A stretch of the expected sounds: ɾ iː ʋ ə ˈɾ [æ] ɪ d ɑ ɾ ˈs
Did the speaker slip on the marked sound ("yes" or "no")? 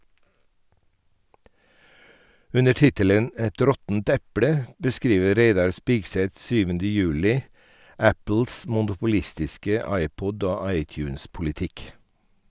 yes